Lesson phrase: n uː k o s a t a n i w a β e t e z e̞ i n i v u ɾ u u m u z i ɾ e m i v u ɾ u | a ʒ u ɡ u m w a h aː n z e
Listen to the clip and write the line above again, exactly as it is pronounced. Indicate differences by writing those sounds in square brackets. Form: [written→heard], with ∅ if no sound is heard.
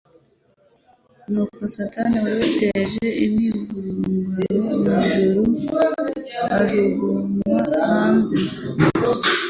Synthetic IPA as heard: n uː k o s a t a n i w a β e t e [z→ʒ] e̞ i [n→m] i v u ɾ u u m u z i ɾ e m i [v→ʒ] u ɾ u | a ʒ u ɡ u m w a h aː n z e